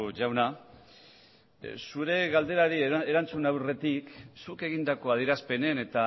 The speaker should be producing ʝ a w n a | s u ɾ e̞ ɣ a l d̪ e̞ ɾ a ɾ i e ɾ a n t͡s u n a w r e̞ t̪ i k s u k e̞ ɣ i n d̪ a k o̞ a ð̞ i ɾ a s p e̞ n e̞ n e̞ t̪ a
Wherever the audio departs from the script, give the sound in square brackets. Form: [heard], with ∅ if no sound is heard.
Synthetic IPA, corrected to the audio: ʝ a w n a | s u ɾ e̞ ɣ a l d̪ e̞ ɾ a ɾ i e ɾ a n t͡s u n a w r e̞ t̪ i k s u k e̞ ɣ i n d̪ a k o̞ a ð̞ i ɾ a s p e̞ n e̞ n e̞ t̪ a